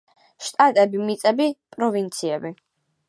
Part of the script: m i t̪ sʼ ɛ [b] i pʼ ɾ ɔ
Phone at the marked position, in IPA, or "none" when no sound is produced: b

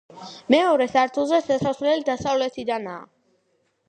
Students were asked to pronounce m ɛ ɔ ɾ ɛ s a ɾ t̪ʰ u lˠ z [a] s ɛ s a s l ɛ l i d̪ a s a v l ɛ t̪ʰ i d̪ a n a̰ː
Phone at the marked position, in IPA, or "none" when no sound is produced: ɛ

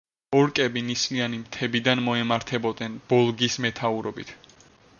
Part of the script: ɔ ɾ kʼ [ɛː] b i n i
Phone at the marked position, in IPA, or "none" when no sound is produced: ɛ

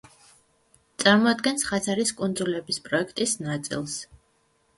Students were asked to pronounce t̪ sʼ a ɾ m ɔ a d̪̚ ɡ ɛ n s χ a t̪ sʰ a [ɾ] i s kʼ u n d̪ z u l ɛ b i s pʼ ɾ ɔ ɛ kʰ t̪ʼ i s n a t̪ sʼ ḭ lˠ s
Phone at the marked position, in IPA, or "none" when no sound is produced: ɾ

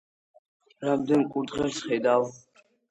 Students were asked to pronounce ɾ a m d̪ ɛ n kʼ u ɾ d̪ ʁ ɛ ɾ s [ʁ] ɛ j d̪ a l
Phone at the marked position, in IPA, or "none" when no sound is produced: χ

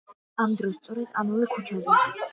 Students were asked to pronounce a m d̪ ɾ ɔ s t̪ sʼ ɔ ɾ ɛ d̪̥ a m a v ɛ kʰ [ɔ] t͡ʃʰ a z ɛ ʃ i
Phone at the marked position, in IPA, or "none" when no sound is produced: u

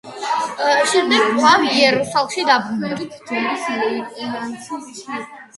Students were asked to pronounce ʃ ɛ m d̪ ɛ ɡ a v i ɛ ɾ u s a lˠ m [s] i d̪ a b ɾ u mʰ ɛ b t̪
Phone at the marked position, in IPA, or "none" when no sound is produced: ʃ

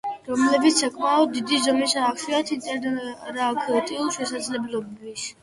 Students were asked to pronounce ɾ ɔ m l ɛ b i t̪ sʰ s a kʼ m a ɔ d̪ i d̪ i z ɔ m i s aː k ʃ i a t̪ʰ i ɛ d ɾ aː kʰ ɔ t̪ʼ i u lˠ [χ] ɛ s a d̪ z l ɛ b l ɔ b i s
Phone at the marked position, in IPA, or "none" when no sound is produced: ʃ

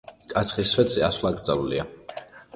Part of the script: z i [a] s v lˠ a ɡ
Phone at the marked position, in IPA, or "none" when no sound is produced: a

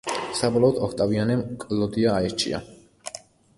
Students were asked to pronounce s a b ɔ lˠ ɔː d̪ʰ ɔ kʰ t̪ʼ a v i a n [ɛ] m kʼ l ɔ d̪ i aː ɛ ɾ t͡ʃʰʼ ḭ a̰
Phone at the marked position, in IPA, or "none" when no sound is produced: ɛ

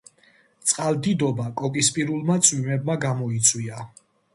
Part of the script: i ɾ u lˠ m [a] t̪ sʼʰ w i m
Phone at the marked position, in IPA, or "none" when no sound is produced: a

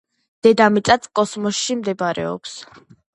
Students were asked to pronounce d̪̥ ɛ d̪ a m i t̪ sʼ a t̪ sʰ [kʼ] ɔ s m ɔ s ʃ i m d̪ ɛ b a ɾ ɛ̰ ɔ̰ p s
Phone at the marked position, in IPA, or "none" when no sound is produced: kʼ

